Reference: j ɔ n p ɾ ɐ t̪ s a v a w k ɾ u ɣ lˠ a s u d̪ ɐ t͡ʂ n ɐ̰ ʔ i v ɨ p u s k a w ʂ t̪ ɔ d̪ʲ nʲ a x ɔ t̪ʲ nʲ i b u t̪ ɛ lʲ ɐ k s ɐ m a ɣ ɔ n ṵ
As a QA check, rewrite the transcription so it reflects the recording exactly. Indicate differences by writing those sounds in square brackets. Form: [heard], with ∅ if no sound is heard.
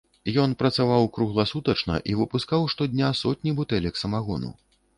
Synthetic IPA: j ɔ n p ɾ ɐ t̪ s a v a w k ɾ u ɣ lˠ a s u [t̪] ɐ t͡ʂ n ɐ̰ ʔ i v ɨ p u s k a w ʂ t̪ ɔ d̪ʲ nʲ a [s] ɔ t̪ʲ nʲ i b u t̪ ɛ lʲ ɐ k s ɐ m a ɣ ɔ n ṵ